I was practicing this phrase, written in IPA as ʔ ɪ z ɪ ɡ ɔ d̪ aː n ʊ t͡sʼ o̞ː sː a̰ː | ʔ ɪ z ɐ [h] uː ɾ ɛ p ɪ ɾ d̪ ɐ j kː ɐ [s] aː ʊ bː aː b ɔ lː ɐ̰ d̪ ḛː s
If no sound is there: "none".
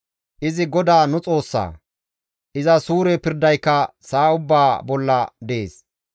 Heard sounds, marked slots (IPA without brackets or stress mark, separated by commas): s, s